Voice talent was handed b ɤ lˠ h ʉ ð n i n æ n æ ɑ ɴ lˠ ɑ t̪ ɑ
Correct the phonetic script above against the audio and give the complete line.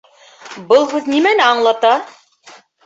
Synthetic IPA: b ɤ lˠ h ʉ ð n i m æ n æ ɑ ɴ lˠ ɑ t̪ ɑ